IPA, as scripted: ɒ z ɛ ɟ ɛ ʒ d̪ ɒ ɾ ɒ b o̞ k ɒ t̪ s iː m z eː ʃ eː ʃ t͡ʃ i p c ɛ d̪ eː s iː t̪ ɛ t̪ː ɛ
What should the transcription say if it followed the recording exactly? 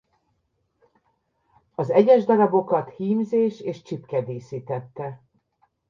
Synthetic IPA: ɒ z ɛ ɟ ɛ ʒ d̪ ɒ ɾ ɒ b o̞ k ɒ t̪ h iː m z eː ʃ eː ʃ t͡ʃ i p k ɛ d̪ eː s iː t̪ ɛ t̪ː ɛ